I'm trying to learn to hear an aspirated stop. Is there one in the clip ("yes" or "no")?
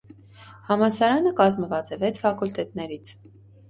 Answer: yes